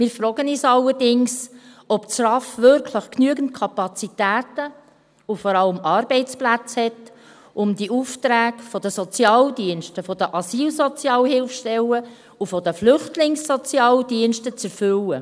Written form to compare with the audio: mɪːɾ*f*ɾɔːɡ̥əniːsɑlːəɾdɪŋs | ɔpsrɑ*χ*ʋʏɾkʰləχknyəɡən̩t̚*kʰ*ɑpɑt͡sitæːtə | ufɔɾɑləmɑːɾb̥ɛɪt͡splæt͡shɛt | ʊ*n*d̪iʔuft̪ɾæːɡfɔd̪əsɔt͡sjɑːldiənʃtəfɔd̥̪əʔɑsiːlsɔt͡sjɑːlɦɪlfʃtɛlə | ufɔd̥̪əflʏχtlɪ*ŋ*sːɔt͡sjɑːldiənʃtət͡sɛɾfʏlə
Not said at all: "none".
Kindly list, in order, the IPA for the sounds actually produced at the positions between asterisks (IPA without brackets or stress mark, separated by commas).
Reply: f, f, kʰ, m, ŋ